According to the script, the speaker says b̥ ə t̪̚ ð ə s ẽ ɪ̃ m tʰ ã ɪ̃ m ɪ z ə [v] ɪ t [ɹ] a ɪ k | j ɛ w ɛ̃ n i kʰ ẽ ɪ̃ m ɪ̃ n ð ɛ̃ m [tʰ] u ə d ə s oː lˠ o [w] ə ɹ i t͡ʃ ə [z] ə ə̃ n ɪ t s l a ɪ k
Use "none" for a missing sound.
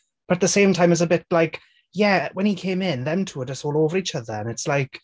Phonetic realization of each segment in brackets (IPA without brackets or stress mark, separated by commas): b, l, tʰ, v, ð